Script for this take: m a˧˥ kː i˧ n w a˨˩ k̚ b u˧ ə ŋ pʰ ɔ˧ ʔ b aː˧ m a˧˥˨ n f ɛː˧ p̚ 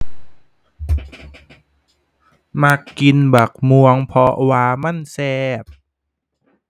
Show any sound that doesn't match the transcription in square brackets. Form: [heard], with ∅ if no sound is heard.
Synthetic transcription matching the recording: m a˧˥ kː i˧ n [b] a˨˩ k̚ [m] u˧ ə ŋ pʰ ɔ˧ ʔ [w] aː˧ m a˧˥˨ n [s] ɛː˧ p̚

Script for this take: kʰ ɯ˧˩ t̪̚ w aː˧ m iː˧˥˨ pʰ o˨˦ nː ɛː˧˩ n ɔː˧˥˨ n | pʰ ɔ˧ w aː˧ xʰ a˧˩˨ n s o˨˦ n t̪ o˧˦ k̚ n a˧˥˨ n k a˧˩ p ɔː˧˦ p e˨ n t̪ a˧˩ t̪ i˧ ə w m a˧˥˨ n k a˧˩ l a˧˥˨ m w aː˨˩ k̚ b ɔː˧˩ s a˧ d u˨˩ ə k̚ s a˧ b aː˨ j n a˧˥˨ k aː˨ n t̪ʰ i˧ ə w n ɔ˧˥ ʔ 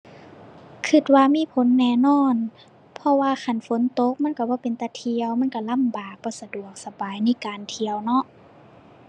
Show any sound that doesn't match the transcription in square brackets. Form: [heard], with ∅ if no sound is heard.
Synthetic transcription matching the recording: kʰ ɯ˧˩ t̪̚ w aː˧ m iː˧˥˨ pʰ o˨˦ nː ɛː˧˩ n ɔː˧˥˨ n | pʰ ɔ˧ w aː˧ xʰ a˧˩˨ n [f] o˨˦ n t̪ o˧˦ k̚ [m] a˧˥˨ n k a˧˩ [b] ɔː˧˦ p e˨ n t̪ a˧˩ [t̪ʰ] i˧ ə w m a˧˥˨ n k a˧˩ l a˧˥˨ m [b] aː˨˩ k̚ b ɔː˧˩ s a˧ d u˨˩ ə k̚ s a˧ b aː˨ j n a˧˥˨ k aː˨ n t̪ʰ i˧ ə w n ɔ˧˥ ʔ

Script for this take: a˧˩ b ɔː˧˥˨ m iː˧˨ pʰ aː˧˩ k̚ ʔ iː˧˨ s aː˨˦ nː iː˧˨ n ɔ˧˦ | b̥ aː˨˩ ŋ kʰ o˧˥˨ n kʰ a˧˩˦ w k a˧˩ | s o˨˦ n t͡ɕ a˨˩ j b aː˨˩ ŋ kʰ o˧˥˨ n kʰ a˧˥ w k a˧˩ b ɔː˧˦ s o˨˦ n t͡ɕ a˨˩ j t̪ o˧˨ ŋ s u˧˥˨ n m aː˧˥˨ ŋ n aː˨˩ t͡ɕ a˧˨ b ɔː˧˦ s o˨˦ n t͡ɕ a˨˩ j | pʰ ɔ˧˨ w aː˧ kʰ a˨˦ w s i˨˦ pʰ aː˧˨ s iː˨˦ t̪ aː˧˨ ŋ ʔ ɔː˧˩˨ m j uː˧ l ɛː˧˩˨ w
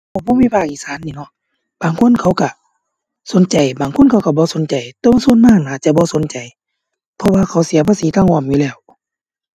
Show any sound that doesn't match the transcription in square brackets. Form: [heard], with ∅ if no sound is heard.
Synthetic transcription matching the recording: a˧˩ b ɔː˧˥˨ m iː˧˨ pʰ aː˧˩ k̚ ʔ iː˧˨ s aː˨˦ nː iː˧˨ n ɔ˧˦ | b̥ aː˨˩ ŋ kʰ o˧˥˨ n kʰ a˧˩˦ w k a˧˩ | s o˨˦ n t͡ɕ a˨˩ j b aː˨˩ ŋ kʰ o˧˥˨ n kʰ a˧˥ w k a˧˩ b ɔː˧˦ s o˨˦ n t͡ɕ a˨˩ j t̪ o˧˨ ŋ s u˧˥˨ n m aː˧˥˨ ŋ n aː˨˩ t͡ɕ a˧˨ b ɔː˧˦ s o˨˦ n t͡ɕ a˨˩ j | pʰ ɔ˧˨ w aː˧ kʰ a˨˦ w s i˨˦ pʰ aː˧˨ s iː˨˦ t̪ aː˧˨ ŋ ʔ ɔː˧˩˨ m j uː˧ l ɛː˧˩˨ w

